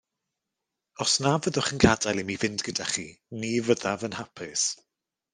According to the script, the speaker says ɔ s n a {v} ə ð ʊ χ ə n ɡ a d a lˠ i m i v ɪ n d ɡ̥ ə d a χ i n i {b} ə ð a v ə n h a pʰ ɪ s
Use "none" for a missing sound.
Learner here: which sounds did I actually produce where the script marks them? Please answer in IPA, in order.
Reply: v, v

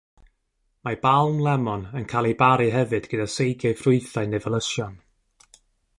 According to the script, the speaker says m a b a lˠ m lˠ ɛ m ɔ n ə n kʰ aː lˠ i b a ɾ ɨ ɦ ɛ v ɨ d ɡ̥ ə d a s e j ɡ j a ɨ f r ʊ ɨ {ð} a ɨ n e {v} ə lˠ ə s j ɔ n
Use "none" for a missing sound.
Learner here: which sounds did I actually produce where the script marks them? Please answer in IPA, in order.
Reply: θ, v

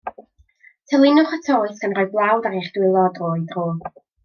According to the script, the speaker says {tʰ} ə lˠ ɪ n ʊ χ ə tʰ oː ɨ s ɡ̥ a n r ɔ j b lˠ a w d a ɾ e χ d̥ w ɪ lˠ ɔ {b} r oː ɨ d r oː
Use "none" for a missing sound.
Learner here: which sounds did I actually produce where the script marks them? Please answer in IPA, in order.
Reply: tʰ, d

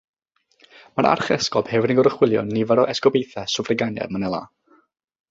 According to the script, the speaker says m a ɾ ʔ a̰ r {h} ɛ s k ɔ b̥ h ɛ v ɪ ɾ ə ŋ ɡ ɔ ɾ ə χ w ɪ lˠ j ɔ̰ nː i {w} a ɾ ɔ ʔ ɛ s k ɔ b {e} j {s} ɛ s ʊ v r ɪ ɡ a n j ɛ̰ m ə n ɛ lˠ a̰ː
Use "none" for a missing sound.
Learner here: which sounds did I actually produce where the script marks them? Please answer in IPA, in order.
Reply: χ, v, e, θ

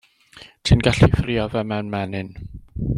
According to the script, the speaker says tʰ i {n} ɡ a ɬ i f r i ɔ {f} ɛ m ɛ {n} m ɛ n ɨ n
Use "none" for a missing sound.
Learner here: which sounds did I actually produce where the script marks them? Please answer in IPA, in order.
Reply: n, v, n

